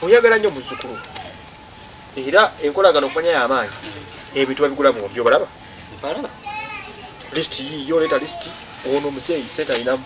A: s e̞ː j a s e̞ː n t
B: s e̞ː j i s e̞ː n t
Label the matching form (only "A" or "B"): B